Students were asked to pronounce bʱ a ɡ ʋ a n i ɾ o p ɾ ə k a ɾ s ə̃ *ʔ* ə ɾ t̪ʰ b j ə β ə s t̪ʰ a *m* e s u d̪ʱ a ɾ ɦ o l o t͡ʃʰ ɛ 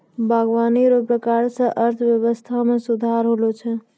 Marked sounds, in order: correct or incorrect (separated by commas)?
correct, correct